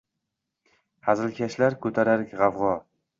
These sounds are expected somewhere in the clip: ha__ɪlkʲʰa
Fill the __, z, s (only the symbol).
z